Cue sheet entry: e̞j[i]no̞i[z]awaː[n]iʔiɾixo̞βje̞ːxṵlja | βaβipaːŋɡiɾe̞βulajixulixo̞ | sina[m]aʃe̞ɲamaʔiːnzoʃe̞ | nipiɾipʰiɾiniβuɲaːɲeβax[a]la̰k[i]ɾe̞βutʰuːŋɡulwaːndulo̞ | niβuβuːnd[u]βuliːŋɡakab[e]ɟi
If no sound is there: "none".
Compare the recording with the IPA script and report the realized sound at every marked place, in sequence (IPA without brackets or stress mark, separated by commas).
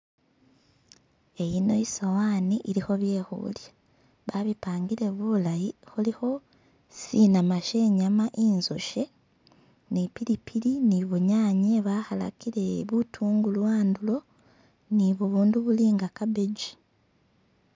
i, s, n, m, a, i, u, e